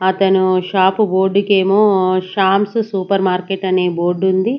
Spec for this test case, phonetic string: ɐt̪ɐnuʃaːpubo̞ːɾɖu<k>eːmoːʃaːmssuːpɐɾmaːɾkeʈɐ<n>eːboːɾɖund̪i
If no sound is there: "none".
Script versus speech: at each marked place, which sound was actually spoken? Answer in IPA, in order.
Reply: k, n

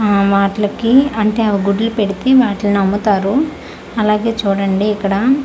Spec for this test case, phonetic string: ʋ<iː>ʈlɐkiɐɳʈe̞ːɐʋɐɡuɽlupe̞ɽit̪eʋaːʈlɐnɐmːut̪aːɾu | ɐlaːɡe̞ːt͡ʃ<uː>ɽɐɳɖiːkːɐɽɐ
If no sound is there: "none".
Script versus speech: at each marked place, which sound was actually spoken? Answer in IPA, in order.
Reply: aː, uː

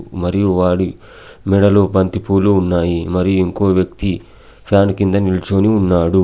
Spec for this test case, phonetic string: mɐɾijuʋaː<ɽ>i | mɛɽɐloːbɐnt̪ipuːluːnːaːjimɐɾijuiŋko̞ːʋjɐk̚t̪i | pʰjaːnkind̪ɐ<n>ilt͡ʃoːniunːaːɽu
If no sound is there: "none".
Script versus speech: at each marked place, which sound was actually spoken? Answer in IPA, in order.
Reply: ɽ, n

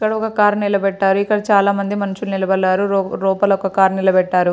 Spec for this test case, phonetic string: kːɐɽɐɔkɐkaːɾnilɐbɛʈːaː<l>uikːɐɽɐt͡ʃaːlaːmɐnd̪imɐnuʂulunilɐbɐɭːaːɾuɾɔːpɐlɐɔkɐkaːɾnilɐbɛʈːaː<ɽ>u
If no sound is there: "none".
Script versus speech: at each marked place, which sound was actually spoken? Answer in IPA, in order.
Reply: ɾ, ɾ

